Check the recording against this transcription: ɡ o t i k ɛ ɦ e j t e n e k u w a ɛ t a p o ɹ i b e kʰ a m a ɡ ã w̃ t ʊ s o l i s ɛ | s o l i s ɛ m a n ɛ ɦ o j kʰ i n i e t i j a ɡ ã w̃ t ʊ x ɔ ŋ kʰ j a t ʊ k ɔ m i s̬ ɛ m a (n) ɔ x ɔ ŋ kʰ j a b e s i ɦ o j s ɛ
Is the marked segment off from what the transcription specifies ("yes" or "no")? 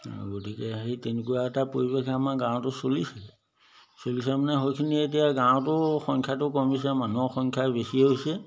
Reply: no